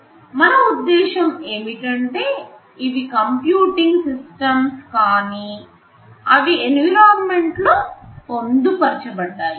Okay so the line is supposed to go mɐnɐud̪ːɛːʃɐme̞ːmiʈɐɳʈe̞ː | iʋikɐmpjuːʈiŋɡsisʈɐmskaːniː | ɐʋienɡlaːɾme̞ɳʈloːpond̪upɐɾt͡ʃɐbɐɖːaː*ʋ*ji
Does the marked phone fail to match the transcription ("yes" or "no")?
yes